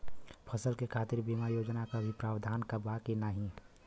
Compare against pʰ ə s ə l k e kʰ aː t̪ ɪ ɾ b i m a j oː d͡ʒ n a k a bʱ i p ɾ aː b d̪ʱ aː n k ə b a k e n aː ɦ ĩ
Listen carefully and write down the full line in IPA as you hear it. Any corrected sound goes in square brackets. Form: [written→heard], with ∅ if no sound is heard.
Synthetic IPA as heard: pʰ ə s ə l k e kʰ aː t̪ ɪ ɾ b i m a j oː d͡ʒ n a k a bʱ i p ɾ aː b d̪ʱ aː n k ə b a k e n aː ɦ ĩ